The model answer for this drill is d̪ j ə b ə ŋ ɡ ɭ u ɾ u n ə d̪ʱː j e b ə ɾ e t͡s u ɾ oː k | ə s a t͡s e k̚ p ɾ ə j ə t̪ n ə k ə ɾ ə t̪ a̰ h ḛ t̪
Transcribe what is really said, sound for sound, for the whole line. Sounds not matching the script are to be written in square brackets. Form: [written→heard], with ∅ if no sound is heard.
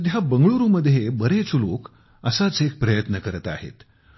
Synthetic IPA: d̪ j [ə→a] b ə ŋ ɡ ɭ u ɾ u [n→m] ə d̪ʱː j e b ə ɾ e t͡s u [ɾ→l] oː k | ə s a t͡s e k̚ p ɾ ə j ə t̪ n ə k ə ɾ ə t̪ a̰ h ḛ t̪